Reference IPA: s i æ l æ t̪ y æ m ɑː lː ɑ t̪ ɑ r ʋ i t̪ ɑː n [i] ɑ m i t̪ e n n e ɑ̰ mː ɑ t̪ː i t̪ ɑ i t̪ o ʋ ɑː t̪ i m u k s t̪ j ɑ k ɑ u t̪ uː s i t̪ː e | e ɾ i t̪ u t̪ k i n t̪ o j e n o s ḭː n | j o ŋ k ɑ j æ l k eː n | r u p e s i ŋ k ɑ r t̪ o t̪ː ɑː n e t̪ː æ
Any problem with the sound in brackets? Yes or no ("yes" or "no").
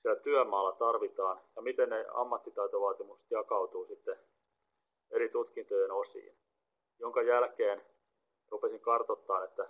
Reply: yes